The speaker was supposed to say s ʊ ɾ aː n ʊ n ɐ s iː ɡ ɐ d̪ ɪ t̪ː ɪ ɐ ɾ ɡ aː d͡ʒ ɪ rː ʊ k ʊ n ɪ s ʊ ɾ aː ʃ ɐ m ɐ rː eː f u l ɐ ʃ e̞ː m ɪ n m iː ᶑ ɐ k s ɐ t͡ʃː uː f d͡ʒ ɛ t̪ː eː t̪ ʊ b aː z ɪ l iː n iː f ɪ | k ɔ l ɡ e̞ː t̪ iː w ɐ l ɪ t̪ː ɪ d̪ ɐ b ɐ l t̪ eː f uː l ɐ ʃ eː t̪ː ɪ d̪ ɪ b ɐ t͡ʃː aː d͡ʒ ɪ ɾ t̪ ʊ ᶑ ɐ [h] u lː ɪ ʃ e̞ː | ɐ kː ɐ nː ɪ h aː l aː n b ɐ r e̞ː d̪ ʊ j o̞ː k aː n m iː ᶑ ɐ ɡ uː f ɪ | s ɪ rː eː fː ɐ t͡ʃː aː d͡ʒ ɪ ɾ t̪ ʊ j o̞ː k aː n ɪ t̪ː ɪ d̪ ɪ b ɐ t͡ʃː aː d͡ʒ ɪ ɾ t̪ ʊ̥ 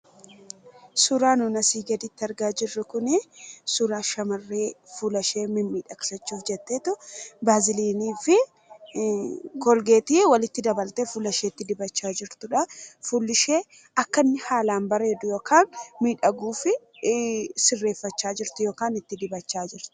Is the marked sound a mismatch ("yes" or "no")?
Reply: yes